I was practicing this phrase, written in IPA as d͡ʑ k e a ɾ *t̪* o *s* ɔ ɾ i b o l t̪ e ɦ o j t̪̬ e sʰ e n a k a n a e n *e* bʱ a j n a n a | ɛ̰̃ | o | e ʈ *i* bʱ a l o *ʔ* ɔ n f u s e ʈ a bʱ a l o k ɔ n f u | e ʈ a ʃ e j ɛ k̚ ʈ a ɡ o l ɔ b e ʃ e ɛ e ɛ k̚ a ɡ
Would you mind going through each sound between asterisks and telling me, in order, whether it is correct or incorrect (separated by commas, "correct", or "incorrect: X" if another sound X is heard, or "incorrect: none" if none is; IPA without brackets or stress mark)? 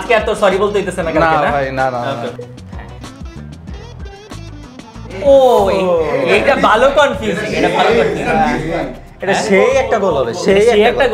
correct, correct, incorrect: a, incorrect: a, incorrect: k